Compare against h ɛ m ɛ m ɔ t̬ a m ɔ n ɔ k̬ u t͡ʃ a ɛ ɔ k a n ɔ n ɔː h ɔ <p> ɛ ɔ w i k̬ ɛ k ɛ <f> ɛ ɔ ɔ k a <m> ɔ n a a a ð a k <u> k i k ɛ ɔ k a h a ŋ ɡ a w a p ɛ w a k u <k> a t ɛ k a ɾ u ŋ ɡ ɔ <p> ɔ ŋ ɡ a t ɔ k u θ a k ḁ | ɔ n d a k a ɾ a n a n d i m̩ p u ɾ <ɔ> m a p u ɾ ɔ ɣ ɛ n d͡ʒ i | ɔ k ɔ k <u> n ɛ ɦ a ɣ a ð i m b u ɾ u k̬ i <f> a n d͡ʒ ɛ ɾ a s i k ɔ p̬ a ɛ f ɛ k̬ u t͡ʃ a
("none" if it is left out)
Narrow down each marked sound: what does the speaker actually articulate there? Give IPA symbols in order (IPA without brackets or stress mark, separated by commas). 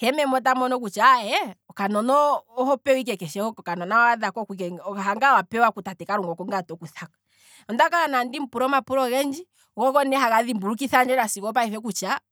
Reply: p, ʃ, n, ɔ, t, k, ɔ, ɔ, θ